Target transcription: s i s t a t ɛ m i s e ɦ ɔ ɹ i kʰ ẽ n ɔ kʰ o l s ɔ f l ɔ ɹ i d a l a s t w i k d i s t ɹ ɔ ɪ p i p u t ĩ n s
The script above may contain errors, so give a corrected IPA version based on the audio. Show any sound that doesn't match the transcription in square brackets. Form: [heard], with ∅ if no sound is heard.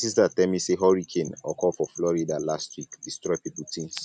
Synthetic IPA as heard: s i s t a t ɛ m i s e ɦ ɔ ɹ i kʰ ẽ n ɔ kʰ [ɔ] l [f] ɔ f l ɔ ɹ i d a l a s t w i k d i s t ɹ ɔ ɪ p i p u t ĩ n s